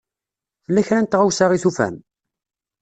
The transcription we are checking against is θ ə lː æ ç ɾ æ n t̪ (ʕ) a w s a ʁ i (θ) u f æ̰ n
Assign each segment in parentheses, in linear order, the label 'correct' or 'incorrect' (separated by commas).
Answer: incorrect, correct